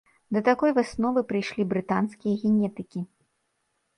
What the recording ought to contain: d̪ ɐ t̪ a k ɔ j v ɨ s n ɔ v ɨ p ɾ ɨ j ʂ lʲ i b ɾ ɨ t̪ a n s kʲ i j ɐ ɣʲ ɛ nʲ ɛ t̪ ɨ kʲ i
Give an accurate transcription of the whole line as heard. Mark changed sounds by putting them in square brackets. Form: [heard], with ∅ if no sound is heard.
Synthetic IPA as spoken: d̪ ɐ t̪ a k ɔ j v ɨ s n ɔ v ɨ p ɾ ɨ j ʂ lʲ i b ɾ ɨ t̪ a n s kʲ i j ɐ ɣʲ ɛ nʲ ɛ t̪ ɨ kʲ i